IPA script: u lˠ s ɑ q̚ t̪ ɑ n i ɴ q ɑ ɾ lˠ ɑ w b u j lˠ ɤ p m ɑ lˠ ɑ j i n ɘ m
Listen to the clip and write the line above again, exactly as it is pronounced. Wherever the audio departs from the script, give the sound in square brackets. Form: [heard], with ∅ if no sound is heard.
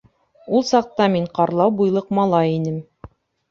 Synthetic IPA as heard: u lˠ s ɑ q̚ t̪ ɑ [m] i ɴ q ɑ ɾ lˠ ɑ w b u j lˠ ɤ [q] m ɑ lˠ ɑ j i n ɘ m